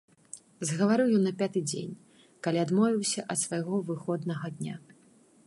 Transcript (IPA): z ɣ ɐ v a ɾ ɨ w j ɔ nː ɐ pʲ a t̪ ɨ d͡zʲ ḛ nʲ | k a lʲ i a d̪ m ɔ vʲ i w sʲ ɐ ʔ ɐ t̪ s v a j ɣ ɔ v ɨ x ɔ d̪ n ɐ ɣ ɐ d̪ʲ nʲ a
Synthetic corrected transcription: z ɣ ɐ v a ɾ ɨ w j ɔ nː ɐ pʲ a t̪ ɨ d͡zʲ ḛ nʲ | k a lʲ i a d̪ m ɔ vʲ i w sʲ ɐ ʔ ɐ t̪ s v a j ɣ ɔ v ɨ x ɔ d̪ n ɐ ɣ ɐ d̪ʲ nʲ a